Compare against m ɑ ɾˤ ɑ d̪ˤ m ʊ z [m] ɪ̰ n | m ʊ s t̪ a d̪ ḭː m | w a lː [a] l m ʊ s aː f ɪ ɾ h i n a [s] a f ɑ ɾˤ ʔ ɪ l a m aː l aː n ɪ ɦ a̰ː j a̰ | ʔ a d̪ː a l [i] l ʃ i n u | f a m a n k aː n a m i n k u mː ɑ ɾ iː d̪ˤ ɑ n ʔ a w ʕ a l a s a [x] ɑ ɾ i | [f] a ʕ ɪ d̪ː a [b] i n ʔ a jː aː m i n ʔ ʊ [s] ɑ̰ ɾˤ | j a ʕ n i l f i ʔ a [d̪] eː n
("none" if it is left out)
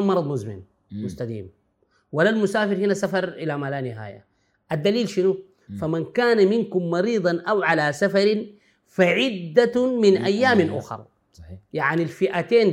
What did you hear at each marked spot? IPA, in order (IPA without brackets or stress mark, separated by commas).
m, a, s, iː, f, f, m, x, t̪